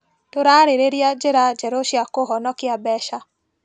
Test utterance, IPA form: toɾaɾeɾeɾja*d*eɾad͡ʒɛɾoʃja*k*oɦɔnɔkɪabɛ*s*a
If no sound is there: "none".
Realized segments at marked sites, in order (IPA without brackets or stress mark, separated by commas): d͡ʒ, k, ʃ